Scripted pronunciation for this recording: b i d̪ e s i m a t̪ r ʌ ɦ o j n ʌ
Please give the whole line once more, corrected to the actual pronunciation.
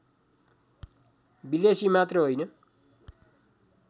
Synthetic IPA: b i d̪ e s i m a t̪ r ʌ ɦ o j n ʌ